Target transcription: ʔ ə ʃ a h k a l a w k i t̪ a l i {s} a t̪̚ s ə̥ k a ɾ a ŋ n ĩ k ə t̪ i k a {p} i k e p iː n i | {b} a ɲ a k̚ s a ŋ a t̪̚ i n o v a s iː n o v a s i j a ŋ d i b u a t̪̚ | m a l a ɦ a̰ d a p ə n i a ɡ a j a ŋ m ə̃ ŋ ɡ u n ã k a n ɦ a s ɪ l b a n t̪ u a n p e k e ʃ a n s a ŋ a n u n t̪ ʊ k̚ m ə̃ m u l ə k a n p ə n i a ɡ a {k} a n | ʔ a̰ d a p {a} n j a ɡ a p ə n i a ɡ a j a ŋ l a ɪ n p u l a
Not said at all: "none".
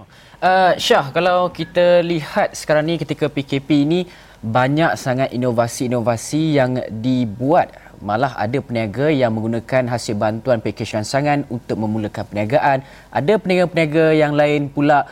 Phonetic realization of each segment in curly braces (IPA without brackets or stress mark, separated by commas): h, p, b, ʔ, ə